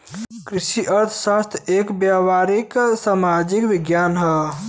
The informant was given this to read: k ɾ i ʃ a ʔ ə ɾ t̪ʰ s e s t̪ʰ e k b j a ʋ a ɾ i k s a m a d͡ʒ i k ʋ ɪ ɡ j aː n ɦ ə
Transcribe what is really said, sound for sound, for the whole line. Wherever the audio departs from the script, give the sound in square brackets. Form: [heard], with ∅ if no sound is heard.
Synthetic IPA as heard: k ɾ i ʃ [i] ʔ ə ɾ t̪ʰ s [a] s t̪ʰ e k b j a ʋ a ɾ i k s a m a d͡ʒ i k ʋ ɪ ɡ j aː n ɦ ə